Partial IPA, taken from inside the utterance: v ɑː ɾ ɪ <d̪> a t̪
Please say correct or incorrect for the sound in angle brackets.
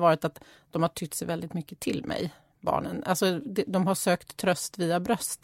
incorrect